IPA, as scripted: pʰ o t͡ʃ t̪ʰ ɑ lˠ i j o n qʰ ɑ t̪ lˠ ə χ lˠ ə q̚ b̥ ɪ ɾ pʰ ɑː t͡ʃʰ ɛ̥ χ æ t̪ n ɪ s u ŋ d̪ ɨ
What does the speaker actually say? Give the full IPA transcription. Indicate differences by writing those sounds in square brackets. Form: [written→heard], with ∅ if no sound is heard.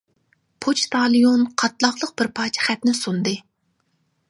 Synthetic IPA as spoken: pʰ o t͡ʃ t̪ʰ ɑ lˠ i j o n qʰ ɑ t̪ lˠ [ə→ɑ] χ lˠ ə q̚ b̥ ɪ ɾ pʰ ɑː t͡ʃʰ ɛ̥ χ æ t̪ n ɪ s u [ŋ→n] d̪ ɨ